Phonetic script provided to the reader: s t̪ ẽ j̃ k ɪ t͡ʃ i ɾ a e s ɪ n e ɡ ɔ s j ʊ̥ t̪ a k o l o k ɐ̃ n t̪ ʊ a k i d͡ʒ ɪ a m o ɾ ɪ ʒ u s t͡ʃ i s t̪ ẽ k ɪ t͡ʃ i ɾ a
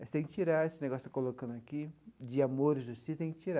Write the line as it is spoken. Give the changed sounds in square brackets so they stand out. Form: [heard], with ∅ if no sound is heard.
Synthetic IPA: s t̪ ẽ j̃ k ɪ t͡ʃ i ɾ a e s ɪ n e ɡ ɔ s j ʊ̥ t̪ a k o l o k ɐ̃ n [d̪] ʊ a k i d͡ʒ ɪ a m o ɾ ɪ ʒ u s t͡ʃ i s t̪ ẽ k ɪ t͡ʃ i ɾ a